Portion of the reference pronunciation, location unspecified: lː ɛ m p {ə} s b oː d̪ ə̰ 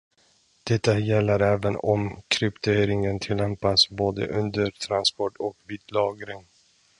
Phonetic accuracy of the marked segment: incorrect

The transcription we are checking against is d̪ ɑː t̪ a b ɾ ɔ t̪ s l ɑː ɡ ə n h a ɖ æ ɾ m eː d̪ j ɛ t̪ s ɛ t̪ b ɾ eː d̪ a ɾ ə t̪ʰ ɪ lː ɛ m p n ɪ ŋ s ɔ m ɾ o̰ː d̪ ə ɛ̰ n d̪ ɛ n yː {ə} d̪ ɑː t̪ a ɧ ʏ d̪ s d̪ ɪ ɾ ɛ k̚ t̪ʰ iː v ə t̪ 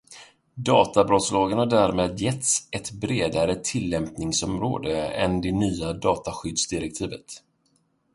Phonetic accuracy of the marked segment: incorrect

